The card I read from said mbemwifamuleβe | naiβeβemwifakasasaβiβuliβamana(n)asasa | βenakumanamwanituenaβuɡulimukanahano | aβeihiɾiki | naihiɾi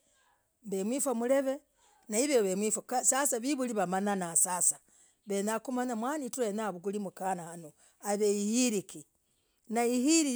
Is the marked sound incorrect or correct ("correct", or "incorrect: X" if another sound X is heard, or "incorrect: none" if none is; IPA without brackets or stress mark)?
correct